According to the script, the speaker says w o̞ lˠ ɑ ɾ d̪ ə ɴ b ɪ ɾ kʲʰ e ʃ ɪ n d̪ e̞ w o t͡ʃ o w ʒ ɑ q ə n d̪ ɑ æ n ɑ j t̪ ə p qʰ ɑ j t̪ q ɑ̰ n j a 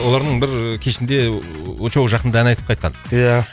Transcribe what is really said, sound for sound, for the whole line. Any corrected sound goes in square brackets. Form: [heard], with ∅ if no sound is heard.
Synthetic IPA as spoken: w o̞ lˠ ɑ ɾ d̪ ə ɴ b ɪ ɾ kʲʰ e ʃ ɪ n d̪ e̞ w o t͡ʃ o w ʒ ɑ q ə n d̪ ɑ æ n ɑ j t̪ ə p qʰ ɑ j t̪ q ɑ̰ n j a